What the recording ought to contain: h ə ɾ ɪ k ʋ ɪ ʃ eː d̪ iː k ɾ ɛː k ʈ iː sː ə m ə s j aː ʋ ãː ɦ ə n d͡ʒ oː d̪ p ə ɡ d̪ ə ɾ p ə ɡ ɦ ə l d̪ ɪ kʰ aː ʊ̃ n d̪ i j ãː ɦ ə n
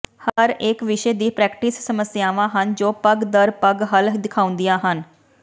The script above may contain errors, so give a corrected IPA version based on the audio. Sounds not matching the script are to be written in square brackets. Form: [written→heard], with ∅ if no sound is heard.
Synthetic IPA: h ə ɾ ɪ k ʋ ɪ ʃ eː d̪ iː [k→p] ɾ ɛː k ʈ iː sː ə m ə s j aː ʋ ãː ɦ ə n d͡ʒ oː [d̪→∅] p ə ɡ d̪ ə ɾ p ə ɡ ɦ ə l d̪ ɪ kʰ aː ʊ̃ n d̪ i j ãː ɦ ə n